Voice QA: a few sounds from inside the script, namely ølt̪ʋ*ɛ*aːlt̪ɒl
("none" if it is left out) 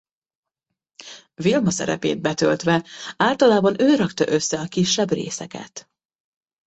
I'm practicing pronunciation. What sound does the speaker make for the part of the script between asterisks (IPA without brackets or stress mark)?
ɛ